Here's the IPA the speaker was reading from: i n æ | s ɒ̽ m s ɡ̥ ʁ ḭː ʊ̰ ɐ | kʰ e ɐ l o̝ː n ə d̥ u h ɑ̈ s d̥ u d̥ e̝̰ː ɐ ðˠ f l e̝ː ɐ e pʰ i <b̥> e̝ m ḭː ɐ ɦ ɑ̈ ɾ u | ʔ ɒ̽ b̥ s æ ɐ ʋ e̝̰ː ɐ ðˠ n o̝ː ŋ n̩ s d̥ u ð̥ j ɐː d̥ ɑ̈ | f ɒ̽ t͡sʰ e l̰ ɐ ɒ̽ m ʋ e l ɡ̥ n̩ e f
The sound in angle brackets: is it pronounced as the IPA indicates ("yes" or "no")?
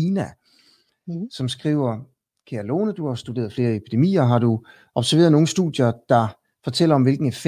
no